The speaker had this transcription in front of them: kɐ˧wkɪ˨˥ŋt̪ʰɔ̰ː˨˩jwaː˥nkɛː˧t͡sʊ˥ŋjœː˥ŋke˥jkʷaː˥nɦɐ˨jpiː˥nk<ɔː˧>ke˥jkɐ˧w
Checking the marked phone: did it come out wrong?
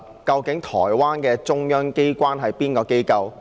no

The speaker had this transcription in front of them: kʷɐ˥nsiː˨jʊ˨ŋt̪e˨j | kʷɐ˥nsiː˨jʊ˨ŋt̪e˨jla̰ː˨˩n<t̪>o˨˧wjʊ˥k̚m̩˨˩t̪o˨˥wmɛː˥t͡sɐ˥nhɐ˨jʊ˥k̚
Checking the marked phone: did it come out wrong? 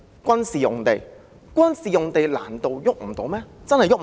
no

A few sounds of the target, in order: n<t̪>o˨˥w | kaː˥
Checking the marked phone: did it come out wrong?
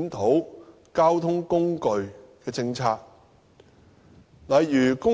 yes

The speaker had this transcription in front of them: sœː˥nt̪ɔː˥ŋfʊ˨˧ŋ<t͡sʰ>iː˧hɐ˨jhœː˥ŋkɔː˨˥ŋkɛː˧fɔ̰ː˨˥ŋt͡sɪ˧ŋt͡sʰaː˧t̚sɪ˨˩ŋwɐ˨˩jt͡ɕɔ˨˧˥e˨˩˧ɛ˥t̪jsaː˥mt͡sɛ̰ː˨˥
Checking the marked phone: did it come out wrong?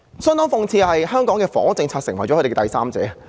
no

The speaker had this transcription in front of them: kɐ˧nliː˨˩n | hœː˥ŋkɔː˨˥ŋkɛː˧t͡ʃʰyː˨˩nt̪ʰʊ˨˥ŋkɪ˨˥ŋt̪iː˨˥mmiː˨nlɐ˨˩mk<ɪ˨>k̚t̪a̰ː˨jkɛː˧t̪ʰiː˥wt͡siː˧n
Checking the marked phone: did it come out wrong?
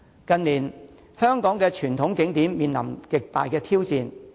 no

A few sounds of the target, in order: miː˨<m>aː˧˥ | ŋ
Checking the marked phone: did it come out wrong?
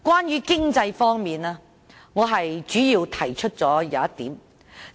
yes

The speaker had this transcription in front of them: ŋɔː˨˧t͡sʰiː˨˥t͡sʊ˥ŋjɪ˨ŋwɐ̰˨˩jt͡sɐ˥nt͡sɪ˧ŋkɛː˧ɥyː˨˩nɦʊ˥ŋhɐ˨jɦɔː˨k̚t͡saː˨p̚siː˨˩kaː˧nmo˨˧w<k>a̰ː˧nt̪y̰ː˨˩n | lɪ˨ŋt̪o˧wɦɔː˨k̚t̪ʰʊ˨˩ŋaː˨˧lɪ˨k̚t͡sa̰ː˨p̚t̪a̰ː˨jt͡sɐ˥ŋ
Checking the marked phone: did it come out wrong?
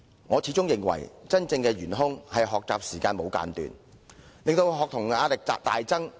no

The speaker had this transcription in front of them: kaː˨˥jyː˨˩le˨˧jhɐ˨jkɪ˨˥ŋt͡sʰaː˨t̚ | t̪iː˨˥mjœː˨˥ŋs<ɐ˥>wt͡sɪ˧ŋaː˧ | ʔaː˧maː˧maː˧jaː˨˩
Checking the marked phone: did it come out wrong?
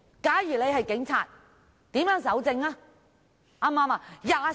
yes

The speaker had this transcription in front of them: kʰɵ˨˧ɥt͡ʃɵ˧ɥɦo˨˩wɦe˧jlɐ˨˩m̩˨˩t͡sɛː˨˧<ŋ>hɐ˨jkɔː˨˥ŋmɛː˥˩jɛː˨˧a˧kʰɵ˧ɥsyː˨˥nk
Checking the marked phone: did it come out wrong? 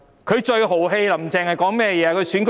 no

